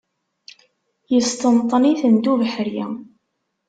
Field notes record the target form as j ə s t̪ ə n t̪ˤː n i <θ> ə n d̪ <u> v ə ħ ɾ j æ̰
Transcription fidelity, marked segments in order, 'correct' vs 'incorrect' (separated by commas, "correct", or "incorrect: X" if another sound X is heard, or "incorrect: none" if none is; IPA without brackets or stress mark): correct, correct